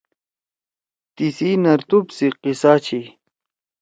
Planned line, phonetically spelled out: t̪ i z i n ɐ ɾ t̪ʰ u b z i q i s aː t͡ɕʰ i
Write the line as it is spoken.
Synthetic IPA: t̪ i s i n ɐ ɾ t̪ u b s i q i s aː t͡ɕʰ i